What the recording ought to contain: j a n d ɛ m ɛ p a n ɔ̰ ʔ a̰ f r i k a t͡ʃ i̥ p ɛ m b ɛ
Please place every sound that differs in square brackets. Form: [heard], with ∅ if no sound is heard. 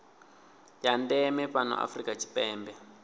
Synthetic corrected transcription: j a n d ɛ m ɛ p a n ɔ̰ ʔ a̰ f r i k a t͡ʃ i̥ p [ɛː] m b ɛ